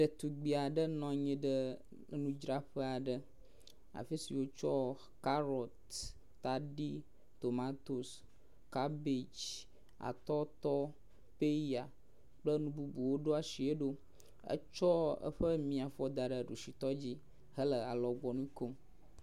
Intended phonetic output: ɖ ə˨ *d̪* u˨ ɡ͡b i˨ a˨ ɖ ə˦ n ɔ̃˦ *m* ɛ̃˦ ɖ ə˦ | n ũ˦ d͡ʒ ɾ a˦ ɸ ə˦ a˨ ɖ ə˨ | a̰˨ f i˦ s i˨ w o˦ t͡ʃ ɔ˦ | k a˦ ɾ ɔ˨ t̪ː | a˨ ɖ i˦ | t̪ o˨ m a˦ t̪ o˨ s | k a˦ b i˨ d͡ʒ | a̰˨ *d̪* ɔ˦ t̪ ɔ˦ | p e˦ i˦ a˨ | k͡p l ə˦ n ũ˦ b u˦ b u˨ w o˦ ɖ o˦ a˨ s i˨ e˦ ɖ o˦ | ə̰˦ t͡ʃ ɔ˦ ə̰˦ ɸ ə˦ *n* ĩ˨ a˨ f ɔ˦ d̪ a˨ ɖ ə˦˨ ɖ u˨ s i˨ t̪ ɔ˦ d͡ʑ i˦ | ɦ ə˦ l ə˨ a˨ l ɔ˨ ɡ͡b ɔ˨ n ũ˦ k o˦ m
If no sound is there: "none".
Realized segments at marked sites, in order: t̪, ɲ, t̪, m

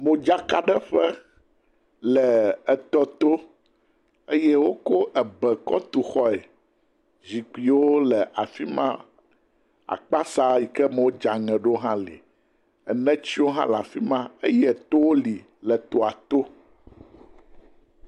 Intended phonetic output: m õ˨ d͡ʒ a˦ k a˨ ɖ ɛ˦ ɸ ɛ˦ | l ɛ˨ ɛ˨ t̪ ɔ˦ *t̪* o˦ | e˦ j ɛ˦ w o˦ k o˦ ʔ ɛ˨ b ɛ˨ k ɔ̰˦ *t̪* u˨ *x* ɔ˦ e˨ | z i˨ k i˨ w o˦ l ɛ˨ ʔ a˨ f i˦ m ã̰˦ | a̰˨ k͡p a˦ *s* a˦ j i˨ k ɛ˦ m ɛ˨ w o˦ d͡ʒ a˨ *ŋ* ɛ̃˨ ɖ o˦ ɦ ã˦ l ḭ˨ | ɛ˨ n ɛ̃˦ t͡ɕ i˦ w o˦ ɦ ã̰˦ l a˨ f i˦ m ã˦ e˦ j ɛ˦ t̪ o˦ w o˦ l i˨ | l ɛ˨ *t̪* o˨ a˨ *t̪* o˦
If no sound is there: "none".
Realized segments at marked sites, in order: t̪, t̪, x, s, ŋ, t̪, t̪

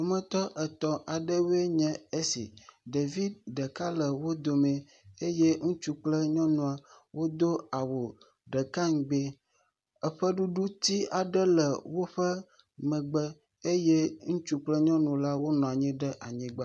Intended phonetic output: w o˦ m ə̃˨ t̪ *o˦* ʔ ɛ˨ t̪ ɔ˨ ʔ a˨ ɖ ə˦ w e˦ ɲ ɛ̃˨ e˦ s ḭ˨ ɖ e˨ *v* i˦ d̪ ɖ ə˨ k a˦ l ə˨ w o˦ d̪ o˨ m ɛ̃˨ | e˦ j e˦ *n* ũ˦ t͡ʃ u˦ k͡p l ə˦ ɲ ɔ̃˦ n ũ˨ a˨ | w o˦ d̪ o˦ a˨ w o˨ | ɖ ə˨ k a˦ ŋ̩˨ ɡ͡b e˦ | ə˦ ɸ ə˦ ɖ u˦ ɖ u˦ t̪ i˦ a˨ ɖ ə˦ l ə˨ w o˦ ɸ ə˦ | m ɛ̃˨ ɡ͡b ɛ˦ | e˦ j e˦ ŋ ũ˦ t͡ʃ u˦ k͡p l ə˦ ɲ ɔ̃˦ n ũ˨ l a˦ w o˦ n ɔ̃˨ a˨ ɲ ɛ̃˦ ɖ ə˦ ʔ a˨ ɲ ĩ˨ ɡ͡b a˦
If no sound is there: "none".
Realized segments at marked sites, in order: ɔ˦, v, ŋ

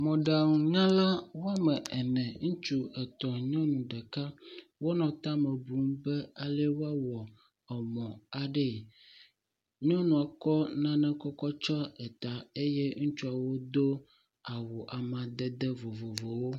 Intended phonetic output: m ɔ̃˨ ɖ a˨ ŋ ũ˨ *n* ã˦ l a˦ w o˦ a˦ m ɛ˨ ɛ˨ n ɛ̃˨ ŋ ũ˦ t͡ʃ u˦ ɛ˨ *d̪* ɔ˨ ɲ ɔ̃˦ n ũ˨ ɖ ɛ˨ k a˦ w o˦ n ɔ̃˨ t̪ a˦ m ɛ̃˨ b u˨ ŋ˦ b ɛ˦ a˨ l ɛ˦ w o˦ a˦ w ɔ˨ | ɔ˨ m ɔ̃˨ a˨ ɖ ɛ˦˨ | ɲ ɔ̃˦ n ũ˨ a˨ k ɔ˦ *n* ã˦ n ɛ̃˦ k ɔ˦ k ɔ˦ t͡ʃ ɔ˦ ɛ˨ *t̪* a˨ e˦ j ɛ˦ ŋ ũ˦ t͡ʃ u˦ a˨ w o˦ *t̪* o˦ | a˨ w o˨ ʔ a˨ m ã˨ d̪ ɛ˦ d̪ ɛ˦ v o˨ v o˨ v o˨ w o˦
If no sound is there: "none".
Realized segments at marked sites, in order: ɲ, t̪, n, t̪, d̪

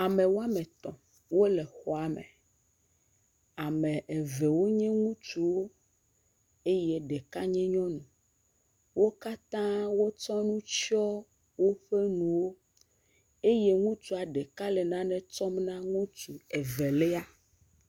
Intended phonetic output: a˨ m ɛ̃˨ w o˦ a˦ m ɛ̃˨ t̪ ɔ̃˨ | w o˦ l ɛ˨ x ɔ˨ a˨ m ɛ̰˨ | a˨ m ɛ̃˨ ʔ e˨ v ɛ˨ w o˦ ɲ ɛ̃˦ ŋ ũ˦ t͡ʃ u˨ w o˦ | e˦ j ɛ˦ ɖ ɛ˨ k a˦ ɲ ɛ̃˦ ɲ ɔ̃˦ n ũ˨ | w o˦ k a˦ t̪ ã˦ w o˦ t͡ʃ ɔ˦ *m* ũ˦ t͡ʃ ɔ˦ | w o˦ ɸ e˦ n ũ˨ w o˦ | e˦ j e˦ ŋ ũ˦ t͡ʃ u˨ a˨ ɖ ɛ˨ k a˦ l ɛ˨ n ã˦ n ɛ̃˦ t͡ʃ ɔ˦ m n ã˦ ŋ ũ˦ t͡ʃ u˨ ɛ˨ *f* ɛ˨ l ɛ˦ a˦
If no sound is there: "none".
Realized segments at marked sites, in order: n, v

